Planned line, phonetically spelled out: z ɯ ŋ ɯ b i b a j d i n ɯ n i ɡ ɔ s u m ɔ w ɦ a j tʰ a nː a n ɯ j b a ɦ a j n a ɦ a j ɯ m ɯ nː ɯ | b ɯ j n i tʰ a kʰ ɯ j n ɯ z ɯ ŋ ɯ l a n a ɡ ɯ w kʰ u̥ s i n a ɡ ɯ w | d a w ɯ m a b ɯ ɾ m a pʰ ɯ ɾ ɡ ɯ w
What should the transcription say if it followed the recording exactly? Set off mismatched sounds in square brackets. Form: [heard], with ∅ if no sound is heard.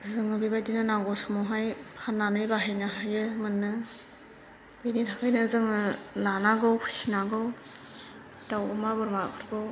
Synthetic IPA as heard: z ɯ ŋ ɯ b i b a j d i n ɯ n [a] ɡ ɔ s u m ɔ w ɦ a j [pʰ] a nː a n ɯ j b a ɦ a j n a ɦ a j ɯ m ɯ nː ɯ | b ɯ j n i tʰ a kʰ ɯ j n ɯ z ɯ ŋ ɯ l a n a ɡ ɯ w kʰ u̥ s i n a ɡ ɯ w | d a w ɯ m a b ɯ ɾ m a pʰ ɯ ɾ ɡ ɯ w